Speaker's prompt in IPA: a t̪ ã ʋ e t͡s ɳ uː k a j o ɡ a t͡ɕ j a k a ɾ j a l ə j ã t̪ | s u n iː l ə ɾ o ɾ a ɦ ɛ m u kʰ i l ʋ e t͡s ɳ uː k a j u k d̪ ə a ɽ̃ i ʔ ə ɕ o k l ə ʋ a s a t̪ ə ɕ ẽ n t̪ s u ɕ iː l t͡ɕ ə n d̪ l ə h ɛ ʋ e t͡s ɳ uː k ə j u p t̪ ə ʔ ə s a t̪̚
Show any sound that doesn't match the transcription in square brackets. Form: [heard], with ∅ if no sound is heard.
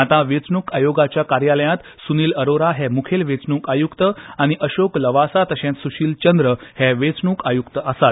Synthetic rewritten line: a t̪ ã ʋ e t͡s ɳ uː k a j o ɡ a t͡ɕ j a k a ɾ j a l ə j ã t̪ | s u n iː l ə ɾ o ɾ a ɦ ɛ m u kʰ [e] l ʋ e t͡s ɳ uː k a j u k [t̪] ə a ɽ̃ i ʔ ə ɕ o k l ə ʋ a s a t̪ ə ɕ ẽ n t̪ s u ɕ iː l t͡ɕ ə n d̪ [ɾ] ə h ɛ ʋ e t͡s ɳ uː k [a] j u [k] t̪ ə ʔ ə s a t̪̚